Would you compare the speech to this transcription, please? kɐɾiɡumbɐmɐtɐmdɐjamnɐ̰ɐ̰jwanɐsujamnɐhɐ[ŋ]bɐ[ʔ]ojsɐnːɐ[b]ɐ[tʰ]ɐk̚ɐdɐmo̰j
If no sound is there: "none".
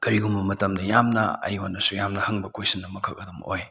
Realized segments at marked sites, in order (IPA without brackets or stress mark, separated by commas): ŋ, k, m, kʰ